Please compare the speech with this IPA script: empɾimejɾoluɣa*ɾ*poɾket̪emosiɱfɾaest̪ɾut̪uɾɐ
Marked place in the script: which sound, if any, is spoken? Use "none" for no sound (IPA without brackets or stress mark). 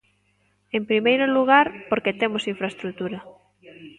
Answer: ɾ